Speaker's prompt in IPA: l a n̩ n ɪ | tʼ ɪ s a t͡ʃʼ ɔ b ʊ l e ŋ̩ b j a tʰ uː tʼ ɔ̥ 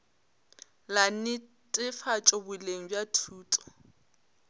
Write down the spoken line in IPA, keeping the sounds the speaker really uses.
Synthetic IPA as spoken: l a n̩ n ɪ | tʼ ɪ f a t͡ʃʼ ɔ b ʊ l e ŋ̩ b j a tʰ uː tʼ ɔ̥